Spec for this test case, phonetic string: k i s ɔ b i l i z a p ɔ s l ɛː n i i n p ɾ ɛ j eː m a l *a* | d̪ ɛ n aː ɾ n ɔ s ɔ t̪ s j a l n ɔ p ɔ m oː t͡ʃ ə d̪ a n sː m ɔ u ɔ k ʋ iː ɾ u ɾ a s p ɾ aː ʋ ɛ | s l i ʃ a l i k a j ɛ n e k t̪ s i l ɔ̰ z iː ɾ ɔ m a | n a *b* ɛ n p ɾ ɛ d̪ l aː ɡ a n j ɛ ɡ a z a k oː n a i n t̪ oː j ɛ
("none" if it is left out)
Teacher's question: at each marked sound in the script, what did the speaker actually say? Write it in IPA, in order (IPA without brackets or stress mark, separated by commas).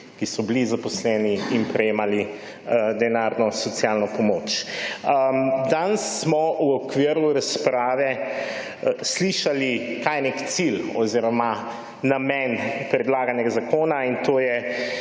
i, m